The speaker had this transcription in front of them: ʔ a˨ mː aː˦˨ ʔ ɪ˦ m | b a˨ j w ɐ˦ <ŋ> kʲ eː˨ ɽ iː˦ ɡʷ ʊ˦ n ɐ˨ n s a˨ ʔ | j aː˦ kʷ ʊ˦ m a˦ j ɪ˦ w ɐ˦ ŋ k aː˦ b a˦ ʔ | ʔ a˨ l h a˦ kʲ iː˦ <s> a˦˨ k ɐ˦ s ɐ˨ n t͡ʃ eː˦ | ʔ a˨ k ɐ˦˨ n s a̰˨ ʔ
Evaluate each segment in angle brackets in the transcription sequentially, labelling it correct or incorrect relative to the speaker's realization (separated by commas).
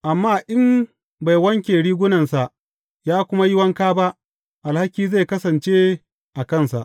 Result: correct, incorrect